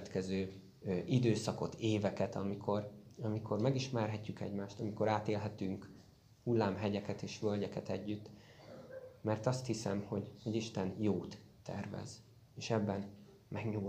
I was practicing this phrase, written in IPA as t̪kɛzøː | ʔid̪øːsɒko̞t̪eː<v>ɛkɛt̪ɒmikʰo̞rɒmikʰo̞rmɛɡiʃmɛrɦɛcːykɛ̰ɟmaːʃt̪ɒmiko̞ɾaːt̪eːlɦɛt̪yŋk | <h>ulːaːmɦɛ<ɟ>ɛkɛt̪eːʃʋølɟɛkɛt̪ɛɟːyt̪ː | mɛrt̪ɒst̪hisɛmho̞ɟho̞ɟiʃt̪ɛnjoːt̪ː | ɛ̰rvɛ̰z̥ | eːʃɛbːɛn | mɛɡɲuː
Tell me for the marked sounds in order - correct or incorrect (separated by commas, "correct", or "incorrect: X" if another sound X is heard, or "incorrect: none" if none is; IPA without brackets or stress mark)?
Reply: correct, correct, correct